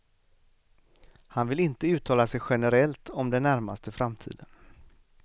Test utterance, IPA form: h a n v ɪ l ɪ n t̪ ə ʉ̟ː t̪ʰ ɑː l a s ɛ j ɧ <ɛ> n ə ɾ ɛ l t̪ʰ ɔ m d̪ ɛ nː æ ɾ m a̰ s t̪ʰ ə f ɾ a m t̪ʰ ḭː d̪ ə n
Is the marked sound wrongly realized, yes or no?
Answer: no